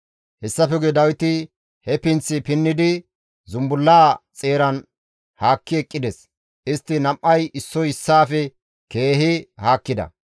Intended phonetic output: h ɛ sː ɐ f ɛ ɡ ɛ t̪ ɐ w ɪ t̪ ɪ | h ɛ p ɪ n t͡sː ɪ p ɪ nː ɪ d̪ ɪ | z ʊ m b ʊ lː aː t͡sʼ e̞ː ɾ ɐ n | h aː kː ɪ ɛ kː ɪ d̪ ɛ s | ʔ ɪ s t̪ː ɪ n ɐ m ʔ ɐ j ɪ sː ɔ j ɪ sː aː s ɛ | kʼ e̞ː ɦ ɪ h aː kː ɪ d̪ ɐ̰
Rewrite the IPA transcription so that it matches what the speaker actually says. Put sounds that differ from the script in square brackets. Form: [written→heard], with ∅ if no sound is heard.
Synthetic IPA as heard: h ɛ sː ɐ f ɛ ɡ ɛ [t̪→d̪] ɐ w ɪ t̪ ɪ | h ɛ p ɪ n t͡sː ɪ p ɪ nː ɪ d̪ ɪ | z ʊ m b ʊ lː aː t͡sʼ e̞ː ɾ ɐ n | h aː kː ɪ ɛ [kː→kʼː] ɪ d̪ ɛ s | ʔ ɪ s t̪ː ɪ n ɐ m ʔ ɐ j ɪ sː ɔ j ɪ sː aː [s→f] ɛ | [kʼ→k] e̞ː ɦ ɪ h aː kː ɪ d̪ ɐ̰